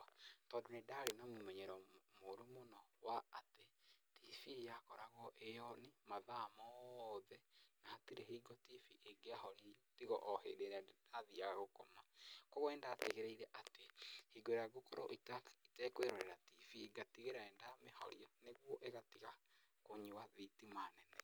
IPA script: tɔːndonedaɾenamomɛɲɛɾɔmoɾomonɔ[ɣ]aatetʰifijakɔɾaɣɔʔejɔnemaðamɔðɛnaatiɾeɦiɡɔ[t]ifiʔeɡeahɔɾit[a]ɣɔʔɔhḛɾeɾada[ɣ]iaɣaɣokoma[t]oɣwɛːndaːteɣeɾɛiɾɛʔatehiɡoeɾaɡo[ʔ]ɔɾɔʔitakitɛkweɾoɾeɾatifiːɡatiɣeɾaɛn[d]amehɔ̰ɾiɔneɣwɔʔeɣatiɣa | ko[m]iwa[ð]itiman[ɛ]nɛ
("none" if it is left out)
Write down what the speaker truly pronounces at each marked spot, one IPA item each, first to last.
w, t, i, ð, k, k, d, ɲ, ð, ɛ

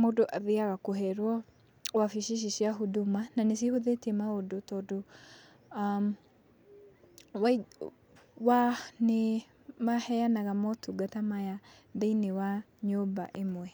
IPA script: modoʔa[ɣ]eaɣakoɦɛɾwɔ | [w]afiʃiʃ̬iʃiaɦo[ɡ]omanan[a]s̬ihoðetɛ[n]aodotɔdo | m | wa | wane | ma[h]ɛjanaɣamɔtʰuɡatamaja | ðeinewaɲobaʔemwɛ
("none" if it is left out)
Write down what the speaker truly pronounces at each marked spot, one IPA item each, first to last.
ð, w, d, e, m, h

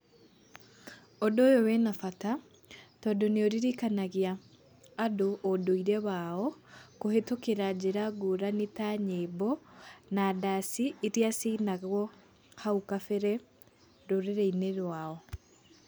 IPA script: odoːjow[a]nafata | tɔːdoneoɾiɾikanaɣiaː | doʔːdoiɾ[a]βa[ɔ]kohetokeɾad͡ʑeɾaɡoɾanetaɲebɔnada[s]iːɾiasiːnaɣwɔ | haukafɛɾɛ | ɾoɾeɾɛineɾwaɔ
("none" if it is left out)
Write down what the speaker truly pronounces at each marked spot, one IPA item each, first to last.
ɛ, ɛ, ɔ, s

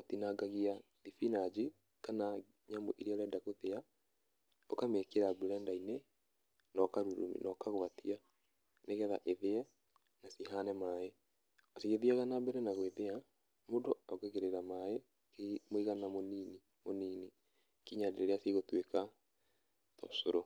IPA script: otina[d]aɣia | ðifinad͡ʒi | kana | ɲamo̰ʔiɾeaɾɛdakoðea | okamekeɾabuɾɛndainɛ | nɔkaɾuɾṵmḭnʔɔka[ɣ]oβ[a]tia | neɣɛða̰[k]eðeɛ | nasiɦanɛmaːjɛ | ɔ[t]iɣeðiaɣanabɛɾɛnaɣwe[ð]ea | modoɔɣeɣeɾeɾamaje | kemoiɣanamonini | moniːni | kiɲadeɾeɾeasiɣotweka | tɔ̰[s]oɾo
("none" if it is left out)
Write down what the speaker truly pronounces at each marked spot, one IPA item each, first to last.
ɡ, ɣ, a, ʔ, s, ð, s

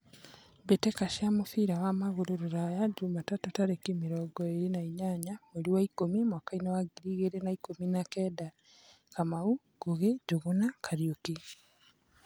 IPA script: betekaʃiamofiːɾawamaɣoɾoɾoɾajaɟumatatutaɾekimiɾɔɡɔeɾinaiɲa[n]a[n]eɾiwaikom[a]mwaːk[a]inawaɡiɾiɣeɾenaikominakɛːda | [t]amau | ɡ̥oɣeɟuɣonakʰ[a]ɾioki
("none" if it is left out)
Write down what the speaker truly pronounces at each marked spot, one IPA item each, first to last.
ɲ, m, i, a, k, a

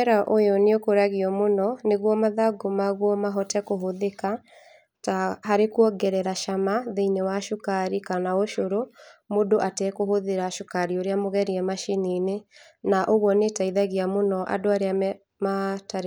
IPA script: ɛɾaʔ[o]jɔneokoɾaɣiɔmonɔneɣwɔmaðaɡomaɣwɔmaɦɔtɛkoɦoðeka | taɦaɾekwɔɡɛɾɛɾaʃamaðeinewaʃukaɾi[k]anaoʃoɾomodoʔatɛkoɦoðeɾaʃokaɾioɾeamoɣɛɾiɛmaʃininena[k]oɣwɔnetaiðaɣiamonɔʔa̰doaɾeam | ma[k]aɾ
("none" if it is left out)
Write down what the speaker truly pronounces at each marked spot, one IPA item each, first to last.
o, k, ʔ, t

